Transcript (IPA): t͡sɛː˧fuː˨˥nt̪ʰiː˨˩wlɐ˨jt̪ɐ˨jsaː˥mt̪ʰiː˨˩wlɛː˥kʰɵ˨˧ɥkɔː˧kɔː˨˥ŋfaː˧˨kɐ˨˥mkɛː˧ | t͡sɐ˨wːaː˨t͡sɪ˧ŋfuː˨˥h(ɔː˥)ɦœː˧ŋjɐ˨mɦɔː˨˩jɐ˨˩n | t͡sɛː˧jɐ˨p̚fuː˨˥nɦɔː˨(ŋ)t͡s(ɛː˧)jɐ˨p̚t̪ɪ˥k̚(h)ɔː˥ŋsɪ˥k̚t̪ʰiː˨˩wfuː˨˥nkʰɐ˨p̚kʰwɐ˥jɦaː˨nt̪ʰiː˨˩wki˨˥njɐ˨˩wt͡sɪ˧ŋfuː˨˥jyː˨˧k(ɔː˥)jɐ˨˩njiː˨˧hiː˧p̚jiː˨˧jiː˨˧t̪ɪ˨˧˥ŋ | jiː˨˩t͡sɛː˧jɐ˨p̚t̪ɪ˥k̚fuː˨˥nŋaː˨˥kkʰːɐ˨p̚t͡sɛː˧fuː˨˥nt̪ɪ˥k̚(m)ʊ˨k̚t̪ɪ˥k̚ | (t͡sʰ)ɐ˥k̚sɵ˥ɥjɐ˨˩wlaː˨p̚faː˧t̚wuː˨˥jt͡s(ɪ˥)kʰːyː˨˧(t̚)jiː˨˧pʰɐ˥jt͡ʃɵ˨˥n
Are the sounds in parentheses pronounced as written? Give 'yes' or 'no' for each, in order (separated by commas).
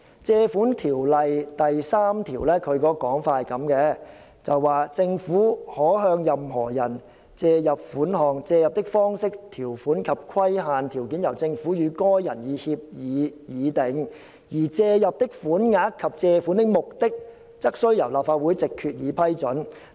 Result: no, yes, yes, no, yes, yes, no, no, yes